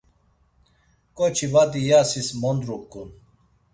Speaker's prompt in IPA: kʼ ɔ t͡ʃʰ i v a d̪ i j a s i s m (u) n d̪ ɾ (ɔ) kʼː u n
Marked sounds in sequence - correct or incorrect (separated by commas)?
incorrect, incorrect